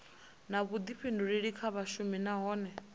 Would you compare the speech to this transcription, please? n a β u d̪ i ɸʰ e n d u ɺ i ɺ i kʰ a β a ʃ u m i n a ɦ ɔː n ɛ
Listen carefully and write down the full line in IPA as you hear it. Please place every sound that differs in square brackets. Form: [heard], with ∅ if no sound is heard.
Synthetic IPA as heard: n a β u d̪ i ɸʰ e n d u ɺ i ɺ i kʰ a β a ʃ u m i n a ɦ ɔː n ɛ

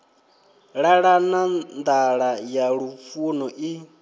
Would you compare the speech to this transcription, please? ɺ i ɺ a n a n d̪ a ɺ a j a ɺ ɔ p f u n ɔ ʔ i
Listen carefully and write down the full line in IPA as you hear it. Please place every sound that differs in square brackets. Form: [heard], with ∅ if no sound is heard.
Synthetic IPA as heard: ɺ [a] ɺ a n a n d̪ a ɺ a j a ɺ [u] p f u n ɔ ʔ i

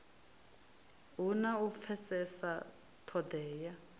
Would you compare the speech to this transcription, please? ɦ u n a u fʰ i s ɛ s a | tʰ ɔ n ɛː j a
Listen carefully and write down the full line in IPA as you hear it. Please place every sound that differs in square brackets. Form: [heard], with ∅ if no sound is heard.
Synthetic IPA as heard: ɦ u n a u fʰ [ɛ] s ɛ s a | tʰ ɔ [d] ɛː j a

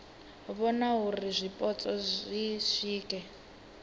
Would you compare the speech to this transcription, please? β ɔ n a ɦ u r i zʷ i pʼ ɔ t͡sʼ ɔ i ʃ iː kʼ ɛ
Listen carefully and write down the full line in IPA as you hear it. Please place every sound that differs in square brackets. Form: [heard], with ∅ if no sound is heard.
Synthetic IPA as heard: β ɔ n a ɦ u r i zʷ i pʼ ɔ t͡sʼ ɔ i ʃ iː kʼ ɛ

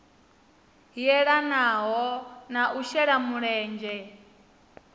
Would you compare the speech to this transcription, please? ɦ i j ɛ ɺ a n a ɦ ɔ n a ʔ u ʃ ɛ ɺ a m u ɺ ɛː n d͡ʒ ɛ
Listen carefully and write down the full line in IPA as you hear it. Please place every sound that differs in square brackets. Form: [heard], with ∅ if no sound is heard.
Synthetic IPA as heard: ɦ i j ɛ ɺ a n a ɦ ɔ n a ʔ u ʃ ɛ ɺ a m u ɺ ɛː n d͡ʒ ɛ

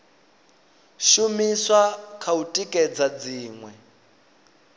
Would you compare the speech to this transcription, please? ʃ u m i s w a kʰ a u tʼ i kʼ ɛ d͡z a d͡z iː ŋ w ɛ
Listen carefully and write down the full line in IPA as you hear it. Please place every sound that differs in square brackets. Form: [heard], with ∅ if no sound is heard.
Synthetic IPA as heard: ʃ u m i s w a kʰ a u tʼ i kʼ ɛ d͡z a d͡z iː ŋ w ɛ

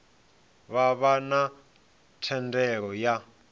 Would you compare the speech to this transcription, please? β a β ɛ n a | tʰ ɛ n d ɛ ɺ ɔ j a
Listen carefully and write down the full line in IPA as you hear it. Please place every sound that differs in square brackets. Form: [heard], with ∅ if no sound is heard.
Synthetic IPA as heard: β a β [a] n a | tʰ ɛ n d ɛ ɺ ɔ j a

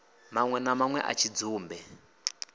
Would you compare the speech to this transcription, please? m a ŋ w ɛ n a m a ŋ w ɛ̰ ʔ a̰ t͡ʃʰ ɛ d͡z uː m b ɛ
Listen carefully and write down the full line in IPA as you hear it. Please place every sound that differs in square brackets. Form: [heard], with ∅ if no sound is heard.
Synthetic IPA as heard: m a ŋ w ɛ n a m a ŋ w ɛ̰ ʔ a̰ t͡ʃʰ [i] d͡z uː m b ɛ

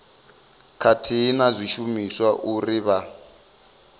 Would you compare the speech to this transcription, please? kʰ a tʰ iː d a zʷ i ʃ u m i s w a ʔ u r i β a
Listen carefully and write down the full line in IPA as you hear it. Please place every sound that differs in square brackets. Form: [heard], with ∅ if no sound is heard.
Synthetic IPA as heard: kʰ a tʰ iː [n] a zʷ i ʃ u m i s w a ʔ u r i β a

